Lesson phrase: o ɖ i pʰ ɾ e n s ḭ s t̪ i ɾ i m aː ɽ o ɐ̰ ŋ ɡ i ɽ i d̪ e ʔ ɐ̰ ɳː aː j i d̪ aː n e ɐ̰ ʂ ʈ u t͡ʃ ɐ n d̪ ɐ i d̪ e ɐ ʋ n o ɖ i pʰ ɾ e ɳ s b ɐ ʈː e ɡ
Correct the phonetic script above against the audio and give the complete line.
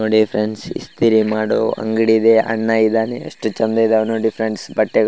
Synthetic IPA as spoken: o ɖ i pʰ ɾ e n s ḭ s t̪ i ɾ i m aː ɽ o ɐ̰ ŋ ɡ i ɽ i d̪ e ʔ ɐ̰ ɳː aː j i d̪ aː n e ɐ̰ ʂ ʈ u t͡ʃ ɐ n d̪ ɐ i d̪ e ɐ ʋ n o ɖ i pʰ ɾ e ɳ s b ɐ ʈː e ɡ